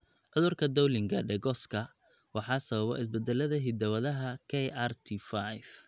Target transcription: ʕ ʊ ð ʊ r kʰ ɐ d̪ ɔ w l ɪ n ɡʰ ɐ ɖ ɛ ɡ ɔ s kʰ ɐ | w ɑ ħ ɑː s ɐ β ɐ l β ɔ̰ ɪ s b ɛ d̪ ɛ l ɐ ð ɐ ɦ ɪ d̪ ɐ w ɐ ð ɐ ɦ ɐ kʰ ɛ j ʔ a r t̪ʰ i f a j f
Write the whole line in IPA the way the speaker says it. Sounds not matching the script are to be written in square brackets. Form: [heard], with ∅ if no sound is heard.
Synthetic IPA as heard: ʕ ʊ ð ʊ r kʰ ɐ d̪ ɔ w l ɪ [ŋ] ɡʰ ɐ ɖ ɛ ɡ ɔ s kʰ ɐ | w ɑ ħ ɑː s ɐ β ɐ [∅] β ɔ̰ ɪ s b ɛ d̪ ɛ l ɐ ð ɐ ɦ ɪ d̪ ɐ w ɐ ð ɐ ɦ ɐ kʰ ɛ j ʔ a r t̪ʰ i f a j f